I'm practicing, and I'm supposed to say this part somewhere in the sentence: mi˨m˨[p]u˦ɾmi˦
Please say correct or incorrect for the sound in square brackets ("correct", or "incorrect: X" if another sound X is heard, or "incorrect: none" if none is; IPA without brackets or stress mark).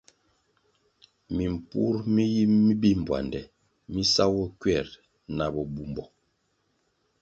correct